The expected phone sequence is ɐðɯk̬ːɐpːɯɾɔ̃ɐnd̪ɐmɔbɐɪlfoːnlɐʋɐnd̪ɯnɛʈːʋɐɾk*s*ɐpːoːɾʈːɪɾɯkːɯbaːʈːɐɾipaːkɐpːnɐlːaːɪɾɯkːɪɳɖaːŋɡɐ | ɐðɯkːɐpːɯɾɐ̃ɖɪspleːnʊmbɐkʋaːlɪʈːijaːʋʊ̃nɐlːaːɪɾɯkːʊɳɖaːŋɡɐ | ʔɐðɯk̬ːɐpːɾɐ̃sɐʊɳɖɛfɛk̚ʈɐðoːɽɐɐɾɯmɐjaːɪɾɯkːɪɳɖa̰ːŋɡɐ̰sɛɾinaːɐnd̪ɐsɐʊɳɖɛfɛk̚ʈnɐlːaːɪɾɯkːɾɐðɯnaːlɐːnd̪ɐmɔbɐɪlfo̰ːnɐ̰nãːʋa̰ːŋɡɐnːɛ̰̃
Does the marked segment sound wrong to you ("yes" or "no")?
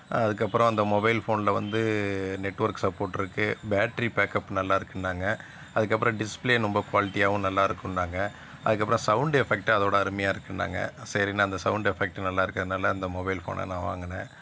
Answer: no